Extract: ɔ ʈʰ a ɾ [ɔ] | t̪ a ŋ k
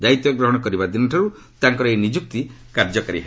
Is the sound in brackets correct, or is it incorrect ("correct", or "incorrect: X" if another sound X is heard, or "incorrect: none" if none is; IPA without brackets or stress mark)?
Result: incorrect: u